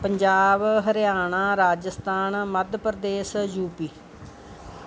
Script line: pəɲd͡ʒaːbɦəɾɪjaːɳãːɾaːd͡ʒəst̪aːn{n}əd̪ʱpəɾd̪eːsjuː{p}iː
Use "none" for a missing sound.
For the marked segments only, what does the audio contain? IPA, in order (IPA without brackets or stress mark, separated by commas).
m, p